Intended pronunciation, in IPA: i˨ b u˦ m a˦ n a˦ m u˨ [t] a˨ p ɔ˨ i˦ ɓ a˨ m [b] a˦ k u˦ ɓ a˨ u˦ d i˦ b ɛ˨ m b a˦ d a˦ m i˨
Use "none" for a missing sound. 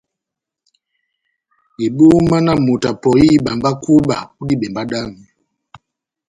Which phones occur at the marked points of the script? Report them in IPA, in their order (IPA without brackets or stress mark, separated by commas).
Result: t, b